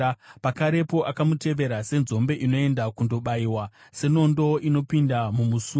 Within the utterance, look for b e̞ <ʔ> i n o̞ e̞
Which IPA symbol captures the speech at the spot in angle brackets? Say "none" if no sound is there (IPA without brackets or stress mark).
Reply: ʔ